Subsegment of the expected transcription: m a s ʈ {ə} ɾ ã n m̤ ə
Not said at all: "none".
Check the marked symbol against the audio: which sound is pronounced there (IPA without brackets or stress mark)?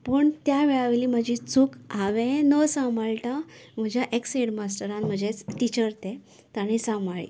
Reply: ə